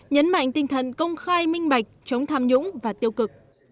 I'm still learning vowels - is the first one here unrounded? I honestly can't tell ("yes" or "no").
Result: yes